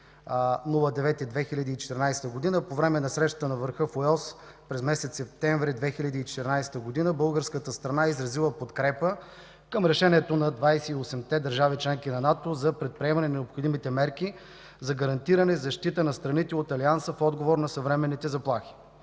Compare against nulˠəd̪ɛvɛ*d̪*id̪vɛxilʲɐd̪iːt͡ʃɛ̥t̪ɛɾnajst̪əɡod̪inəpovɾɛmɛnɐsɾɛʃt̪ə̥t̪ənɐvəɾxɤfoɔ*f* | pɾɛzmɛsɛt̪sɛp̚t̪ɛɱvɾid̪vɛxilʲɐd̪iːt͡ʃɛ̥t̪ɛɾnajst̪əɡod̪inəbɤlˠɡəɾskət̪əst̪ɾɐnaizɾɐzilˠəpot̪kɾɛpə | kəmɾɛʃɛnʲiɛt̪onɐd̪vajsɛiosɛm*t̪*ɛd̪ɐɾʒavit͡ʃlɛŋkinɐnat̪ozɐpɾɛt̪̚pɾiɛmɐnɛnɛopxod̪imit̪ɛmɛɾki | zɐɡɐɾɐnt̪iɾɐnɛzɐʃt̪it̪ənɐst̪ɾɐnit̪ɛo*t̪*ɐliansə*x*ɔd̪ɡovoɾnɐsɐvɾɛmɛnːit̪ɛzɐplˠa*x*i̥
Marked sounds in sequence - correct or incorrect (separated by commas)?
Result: incorrect, incorrect, correct, correct, incorrect, correct